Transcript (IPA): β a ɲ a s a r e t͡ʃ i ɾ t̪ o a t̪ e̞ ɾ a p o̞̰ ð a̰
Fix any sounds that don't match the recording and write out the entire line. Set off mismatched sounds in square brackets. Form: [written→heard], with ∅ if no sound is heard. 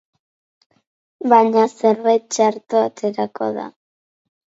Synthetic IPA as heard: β a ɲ a s [a→e] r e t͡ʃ [i→a] ɾ t̪ o a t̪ e̞ ɾ a [p→k] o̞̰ ð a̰